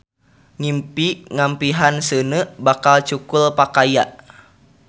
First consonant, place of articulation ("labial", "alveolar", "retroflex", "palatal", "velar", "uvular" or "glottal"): velar